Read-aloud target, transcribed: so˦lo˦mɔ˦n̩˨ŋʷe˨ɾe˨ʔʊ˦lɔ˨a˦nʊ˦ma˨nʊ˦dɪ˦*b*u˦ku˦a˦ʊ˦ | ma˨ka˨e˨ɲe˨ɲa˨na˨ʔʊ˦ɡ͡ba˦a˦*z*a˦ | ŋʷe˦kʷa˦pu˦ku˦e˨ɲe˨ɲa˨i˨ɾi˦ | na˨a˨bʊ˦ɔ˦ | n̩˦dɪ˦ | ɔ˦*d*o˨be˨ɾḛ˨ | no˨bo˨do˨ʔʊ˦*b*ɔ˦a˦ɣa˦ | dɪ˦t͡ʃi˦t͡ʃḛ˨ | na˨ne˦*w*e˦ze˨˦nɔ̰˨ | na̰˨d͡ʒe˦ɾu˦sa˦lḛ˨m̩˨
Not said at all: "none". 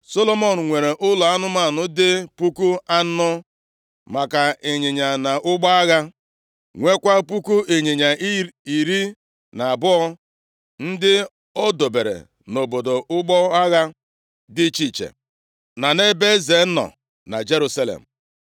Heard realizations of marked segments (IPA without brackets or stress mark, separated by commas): p, ɣ, d, ɡ͡b, b